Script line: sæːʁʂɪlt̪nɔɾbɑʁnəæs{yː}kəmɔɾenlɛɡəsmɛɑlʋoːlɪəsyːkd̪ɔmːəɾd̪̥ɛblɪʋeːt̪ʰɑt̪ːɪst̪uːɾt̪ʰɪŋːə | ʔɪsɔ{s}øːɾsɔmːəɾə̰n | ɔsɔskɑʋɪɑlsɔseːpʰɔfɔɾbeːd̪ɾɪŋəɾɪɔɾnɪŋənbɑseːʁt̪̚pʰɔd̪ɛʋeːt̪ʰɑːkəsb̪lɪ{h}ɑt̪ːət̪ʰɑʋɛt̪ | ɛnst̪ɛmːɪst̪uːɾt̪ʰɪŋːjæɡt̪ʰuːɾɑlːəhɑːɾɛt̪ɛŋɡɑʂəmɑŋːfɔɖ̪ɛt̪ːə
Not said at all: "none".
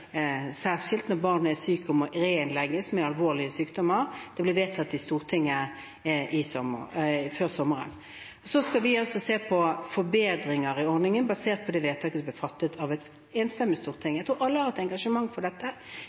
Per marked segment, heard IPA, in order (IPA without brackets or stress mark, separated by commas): yː, f, f